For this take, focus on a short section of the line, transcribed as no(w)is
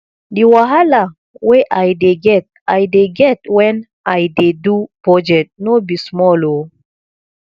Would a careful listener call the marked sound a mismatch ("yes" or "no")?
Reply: yes